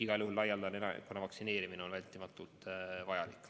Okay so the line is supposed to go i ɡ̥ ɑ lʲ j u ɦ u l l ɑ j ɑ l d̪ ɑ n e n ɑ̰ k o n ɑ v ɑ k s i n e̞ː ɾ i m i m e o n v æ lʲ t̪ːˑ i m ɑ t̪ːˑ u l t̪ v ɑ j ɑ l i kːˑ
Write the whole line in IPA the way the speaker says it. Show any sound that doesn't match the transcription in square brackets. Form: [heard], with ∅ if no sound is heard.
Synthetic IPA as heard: i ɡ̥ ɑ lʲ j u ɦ u l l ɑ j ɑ l d̪ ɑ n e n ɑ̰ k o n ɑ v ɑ k s i n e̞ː ɾ i m i [n] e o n v æ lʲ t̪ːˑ i m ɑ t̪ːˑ u l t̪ v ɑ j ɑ l i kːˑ